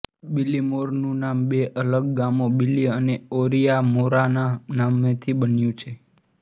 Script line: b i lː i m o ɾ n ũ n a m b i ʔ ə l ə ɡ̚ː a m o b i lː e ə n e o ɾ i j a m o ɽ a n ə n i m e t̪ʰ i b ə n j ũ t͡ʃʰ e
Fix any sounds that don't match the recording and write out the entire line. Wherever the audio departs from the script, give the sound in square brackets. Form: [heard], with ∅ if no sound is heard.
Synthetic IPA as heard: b i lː i m o ɾ n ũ n a m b [e] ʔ ə l ə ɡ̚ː a m o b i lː [i] ə n e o ɾ i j a m o [ɾ] a n [a] n [a] m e t̪ʰ i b ə n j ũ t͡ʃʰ e